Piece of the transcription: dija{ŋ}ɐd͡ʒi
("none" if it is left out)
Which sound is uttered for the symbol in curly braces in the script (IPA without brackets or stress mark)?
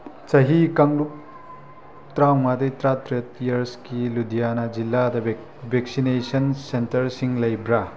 n